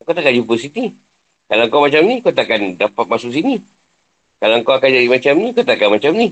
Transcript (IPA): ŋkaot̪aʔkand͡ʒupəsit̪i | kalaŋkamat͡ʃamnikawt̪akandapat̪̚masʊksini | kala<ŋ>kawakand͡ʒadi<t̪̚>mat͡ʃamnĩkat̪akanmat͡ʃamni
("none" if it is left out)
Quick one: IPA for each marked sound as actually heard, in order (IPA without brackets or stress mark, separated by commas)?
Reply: ŋ, none